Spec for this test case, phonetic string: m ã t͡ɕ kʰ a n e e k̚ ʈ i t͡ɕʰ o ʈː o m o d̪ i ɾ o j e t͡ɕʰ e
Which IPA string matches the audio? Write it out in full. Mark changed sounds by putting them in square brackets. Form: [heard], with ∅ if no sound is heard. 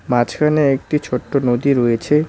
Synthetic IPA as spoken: m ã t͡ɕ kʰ a n e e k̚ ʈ i t͡ɕʰ o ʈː o [n] o d̪ i ɾ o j e t͡ɕʰ e